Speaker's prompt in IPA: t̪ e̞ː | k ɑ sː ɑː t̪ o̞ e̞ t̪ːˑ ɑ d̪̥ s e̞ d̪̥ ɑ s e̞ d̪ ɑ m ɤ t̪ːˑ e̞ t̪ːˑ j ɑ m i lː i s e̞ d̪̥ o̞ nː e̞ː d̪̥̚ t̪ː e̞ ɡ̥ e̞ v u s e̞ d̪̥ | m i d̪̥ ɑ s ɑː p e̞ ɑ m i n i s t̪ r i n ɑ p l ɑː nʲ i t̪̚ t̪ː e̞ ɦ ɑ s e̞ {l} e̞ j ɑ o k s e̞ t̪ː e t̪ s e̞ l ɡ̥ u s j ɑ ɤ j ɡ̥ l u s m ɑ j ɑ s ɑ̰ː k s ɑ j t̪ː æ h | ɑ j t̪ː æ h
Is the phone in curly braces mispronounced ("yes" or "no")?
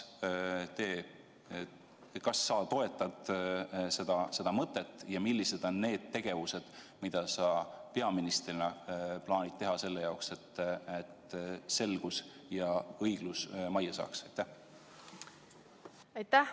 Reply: yes